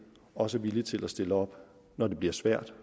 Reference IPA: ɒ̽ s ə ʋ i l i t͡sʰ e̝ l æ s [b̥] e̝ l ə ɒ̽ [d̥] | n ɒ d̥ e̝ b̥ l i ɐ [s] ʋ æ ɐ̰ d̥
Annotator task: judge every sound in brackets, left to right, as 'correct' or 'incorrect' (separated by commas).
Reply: incorrect, incorrect, correct